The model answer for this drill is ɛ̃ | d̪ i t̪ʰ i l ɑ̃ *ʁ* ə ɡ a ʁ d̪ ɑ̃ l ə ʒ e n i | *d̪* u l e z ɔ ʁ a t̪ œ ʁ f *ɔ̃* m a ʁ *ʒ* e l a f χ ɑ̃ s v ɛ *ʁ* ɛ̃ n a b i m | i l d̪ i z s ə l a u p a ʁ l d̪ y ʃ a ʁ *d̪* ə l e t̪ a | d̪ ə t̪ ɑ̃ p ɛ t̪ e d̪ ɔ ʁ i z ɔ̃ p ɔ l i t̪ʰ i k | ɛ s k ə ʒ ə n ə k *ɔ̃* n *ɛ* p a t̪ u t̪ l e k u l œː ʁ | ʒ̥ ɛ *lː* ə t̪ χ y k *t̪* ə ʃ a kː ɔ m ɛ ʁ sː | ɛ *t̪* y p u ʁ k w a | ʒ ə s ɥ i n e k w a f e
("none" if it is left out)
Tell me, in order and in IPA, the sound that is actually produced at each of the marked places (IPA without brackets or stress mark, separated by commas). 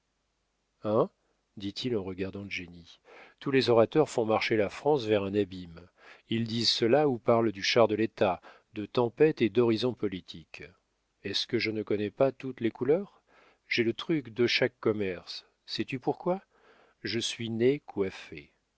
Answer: ʁ, t̪, ɔ̃, ʃ, ʁ, d̪, ɔ, ɛ, l, d̪, t̪